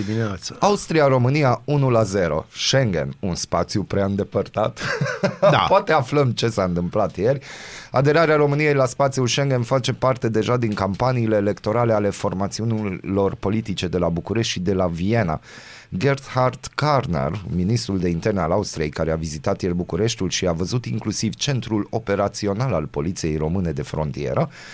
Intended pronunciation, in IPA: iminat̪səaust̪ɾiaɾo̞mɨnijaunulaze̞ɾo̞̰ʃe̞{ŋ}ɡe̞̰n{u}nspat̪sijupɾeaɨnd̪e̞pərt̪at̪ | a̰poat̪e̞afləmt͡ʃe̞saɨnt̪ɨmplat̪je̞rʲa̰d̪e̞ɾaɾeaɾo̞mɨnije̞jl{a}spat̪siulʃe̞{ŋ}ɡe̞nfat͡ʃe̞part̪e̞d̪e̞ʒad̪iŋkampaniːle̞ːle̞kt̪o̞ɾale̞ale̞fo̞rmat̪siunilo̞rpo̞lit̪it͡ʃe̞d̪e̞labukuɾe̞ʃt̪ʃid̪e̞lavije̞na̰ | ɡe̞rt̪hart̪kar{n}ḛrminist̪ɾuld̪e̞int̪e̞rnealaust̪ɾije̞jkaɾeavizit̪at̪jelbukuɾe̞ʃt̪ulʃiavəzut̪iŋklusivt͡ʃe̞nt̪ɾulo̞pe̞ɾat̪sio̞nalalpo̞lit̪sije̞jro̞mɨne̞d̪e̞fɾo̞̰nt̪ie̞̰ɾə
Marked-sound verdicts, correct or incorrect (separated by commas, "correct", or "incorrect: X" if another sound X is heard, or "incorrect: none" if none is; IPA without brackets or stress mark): correct, correct, correct, correct, correct